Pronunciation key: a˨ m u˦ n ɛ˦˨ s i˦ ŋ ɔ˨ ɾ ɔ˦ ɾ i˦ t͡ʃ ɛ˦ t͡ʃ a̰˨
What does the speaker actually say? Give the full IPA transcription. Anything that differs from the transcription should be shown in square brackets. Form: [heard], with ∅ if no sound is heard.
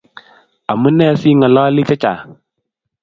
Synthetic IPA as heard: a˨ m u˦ n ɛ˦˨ s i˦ ŋ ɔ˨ [l] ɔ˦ [l] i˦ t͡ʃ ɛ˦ t͡ʃ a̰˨